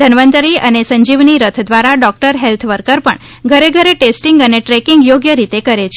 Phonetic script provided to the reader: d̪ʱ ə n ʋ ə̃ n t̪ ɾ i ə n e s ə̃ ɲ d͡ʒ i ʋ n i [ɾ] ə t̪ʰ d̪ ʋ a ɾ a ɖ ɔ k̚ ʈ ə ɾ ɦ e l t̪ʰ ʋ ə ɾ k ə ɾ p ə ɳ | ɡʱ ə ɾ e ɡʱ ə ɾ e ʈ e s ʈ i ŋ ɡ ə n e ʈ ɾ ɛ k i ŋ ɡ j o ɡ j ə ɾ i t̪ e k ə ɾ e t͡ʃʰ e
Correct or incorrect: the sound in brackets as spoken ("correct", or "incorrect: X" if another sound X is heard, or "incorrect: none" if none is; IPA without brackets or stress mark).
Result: correct